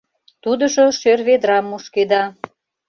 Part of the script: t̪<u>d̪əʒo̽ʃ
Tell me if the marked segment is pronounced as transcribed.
yes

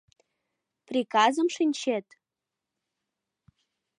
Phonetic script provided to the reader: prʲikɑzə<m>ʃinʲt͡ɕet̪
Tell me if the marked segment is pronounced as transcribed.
yes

